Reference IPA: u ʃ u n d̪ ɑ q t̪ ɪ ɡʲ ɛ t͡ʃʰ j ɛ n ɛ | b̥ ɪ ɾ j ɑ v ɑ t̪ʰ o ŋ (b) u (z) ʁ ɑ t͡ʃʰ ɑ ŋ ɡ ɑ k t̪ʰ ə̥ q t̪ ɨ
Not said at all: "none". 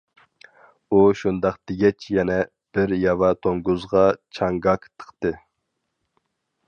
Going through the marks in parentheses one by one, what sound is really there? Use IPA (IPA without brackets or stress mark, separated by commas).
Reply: ɡ, z